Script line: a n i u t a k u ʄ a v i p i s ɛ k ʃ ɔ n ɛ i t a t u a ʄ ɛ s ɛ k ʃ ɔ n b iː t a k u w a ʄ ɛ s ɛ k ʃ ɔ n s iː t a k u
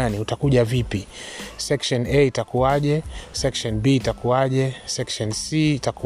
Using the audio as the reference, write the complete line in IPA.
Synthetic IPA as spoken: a n i u t a k u ʄ a v i p i s ɛ k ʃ ɔ n ɛ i t a k u a ʄ ɛ s ɛ k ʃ ɔ n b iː t a k u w a ʄ ɛ s ɛ k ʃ ɔ n s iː t a k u